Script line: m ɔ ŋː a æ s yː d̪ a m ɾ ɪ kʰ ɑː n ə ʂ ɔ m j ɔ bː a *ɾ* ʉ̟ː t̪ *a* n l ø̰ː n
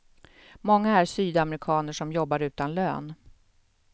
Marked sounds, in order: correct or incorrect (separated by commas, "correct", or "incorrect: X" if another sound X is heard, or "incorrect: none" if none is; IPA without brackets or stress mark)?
correct, correct